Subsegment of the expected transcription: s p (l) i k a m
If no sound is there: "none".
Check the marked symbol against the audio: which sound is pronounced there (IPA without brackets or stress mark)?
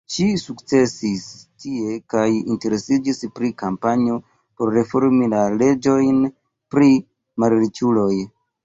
ɾ